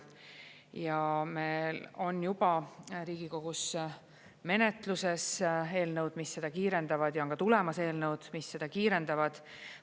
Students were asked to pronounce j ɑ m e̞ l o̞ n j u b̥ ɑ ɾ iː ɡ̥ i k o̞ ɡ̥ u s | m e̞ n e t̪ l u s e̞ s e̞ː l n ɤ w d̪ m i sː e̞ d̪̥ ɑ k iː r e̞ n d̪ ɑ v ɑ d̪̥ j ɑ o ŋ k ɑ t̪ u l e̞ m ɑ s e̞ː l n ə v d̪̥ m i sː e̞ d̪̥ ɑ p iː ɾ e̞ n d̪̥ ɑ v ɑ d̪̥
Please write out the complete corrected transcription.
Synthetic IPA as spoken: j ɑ m e̞ l o̞ n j u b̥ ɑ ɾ iː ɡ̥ i k o̞ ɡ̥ u s | m e̞ n e t̪ l u s e̞ s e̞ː l n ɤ w d̪ m i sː e̞ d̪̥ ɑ k iː ɾ e̞ n d̪ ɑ v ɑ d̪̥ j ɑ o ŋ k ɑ t̪ u l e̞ m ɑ s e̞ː l n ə w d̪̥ m i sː e̞ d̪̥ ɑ k iː ɾ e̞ n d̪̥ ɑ v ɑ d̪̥